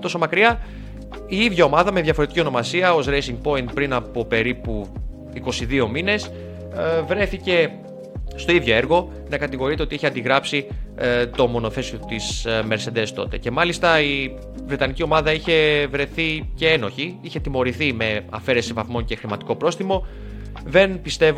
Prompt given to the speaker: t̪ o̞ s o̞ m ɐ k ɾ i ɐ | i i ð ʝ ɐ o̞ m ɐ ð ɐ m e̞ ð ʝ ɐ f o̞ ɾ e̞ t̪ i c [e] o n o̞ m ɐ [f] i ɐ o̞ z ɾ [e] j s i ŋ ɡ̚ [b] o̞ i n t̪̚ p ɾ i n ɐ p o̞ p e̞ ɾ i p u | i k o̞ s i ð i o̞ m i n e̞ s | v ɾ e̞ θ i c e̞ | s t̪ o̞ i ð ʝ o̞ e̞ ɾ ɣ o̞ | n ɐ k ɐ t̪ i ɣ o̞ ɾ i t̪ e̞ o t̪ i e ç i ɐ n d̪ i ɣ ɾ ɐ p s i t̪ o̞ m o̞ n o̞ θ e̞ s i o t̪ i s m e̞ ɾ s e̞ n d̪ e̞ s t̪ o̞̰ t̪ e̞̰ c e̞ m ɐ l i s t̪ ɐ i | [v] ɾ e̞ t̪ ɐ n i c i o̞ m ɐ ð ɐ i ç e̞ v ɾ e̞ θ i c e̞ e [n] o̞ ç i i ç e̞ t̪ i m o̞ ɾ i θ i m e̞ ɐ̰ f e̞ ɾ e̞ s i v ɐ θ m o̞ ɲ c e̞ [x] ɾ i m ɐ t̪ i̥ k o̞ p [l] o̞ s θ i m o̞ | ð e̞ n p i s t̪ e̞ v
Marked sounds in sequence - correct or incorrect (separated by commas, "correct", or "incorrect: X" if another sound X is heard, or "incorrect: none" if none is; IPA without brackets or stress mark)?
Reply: incorrect: i, incorrect: s, correct, incorrect: p, correct, correct, correct, incorrect: ɾ